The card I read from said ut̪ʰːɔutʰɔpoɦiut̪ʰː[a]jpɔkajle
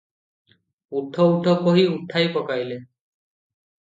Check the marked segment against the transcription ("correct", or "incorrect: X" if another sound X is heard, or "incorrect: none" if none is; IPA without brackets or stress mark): correct